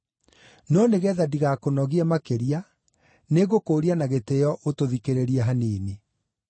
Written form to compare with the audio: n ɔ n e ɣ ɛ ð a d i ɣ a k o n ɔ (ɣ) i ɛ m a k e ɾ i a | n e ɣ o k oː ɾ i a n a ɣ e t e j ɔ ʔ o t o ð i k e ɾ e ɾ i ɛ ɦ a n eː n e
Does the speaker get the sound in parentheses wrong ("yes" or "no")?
no